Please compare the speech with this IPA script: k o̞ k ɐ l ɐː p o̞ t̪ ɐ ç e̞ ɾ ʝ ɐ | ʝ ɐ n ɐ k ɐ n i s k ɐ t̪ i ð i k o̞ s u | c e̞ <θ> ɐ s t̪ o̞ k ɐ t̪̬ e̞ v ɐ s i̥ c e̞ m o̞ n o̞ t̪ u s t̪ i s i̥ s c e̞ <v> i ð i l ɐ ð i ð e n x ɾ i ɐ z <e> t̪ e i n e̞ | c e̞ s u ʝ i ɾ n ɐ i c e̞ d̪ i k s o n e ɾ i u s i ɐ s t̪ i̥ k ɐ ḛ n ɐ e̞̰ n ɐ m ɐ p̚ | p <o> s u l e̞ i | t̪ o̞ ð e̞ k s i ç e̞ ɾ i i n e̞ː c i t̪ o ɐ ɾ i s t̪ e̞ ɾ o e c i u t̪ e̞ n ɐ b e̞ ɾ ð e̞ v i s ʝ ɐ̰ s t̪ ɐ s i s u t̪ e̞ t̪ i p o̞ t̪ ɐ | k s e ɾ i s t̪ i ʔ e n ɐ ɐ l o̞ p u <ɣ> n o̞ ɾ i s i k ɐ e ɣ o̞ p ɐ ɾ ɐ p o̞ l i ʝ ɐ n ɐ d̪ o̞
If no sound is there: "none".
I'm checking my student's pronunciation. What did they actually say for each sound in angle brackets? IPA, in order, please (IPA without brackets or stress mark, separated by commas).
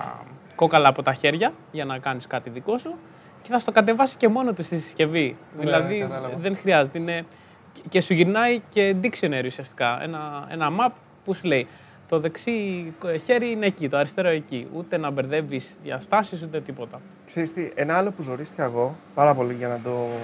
θ, v, e, u, z